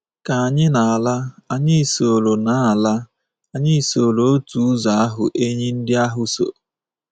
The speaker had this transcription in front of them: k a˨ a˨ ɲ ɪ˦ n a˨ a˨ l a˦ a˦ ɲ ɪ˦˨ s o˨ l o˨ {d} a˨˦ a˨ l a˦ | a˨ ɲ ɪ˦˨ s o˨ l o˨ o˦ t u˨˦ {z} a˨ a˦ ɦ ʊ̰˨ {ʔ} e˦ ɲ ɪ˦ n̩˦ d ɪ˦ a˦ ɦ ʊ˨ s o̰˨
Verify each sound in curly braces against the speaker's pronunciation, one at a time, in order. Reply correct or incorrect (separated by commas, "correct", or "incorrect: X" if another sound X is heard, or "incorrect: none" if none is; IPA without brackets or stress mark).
incorrect: n, correct, correct